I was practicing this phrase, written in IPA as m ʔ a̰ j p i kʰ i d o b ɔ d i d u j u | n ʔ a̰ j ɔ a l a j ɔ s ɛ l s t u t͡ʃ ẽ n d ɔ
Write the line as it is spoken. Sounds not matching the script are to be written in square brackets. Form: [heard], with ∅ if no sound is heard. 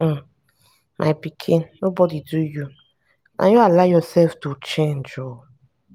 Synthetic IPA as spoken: m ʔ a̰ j p i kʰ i [n] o b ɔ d i d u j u | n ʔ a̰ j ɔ a l a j ɔ s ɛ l [f] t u t͡ʃ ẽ n [d͡ʒ] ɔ